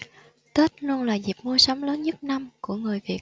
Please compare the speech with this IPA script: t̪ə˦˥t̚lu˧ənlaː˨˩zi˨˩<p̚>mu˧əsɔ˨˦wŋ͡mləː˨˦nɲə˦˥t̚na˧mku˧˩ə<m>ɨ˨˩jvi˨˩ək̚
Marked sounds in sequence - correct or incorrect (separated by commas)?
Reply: correct, incorrect